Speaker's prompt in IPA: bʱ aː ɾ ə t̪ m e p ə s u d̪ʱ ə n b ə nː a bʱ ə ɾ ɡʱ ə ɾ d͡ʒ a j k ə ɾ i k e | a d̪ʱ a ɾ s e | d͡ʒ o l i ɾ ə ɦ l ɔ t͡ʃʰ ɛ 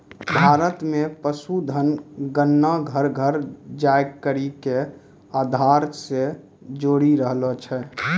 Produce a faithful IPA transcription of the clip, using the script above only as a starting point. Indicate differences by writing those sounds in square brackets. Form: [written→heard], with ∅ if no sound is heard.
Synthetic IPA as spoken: bʱ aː ɾ ə t̪ m e p ə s u d̪ʱ ə n [b→ɡ] ə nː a [bʱ→ɡʱ] ə ɾ ɡʱ ə ɾ d͡ʒ a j k ə ɾ i k e | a d̪ʱ a ɾ s e | d͡ʒ o [l→ɽ] i ɾ ə ɦ l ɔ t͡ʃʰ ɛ

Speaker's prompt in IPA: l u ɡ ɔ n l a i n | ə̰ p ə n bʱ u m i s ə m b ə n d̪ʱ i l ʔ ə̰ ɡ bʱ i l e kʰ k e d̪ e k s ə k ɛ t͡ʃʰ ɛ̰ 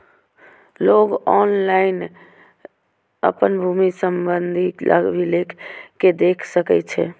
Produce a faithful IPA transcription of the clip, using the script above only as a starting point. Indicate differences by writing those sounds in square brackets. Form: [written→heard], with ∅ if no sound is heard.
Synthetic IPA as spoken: l [u→o] ɡ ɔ n l a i n | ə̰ p ə n bʱ u m i s ə m b ə n d̪ʱ i l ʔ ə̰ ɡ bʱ i l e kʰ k e d̪ e [k→kʰ] s ə k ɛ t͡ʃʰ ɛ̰

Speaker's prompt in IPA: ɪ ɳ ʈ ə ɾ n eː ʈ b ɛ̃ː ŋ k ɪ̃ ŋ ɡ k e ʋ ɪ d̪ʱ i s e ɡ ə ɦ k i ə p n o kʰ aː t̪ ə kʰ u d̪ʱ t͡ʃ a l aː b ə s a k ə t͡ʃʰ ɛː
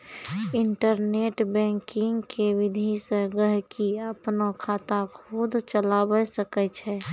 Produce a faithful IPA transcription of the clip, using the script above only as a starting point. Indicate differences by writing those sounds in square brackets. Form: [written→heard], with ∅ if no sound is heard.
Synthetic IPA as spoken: ɪ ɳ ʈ ə ɾ n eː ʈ b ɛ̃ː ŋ k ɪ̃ ŋ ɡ k e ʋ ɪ d̪ʱ i s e ɡ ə ɦ k i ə p n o kʰ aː t̪ [ə→a] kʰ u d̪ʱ t͡ʃ [a→ə] l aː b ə s [a→ə] k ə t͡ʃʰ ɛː

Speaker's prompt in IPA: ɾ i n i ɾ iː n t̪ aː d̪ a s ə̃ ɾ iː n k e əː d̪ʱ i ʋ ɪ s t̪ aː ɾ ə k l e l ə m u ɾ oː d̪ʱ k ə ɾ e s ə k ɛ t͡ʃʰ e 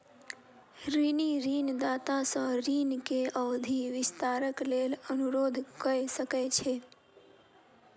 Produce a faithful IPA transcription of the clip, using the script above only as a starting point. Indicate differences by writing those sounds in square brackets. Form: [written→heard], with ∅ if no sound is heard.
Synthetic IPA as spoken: ɾ i n i ɾ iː n [t̪→d̪] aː [d̪→t̪] a s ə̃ ɾ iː n k e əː d̪ʱ i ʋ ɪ s t̪ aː ɾ ə k l e l ə [m→n] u ɾ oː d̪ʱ k ə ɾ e s ə k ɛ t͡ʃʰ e

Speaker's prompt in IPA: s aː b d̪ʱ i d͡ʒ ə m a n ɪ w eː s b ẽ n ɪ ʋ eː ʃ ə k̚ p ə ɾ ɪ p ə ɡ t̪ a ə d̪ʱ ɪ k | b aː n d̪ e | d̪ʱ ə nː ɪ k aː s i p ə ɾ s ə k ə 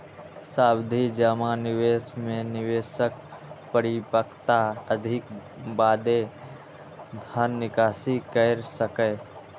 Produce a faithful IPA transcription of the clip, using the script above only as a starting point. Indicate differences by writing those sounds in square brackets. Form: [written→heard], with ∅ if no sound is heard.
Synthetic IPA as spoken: s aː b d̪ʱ i d͡ʒ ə m a n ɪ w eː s [b→m] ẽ n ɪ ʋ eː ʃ ə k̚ p ə ɾ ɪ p ə [ɡ→k] t̪ a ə d̪ʱ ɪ k | b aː [n→∅] d̪ e | d̪ʱ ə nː ɪ k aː s i [p→k] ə ɾ s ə k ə

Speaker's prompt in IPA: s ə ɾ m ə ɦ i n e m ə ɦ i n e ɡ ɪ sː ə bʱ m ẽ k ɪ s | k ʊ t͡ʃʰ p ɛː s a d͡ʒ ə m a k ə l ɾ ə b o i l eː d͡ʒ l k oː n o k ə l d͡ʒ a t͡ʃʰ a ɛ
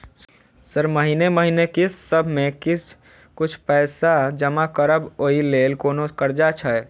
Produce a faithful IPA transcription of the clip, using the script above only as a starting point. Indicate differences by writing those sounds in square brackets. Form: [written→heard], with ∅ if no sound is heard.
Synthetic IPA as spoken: s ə ɾ m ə ɦ i n e m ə ɦ i n e [ɡ→k] ɪ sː ə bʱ m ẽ k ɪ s | k ʊ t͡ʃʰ p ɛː s a d͡ʒ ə m a k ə [l→∅] ɾ ə b o i l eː [d͡ʒ→∅] l k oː n o k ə [l→ɾ] d͡ʒ a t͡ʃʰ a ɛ

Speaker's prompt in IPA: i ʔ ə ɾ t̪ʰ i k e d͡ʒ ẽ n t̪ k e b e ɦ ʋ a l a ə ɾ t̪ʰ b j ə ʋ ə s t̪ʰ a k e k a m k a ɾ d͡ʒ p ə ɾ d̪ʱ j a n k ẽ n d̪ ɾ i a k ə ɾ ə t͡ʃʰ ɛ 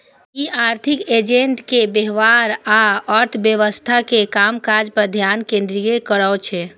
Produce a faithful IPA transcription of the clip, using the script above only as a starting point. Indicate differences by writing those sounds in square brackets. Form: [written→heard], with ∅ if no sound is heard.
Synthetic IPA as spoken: i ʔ [ə→a] ɾ t̪ʰ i k e d͡ʒ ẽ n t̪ k e b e ɦ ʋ a [l→ɾ] a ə ɾ t̪ʰ b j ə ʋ ə s t̪ʰ a k e k a m k a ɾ d͡ʒ p ə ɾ d̪ʱ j a n k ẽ n d̪ ɾ i [a→e] k ə ɾ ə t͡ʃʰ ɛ

